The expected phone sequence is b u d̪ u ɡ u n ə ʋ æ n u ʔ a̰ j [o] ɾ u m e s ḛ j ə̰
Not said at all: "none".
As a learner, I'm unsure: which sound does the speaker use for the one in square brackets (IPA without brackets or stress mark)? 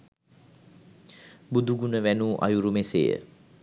u